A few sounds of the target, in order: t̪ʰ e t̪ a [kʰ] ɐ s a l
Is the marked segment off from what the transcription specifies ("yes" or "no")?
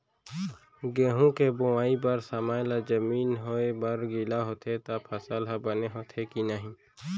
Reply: yes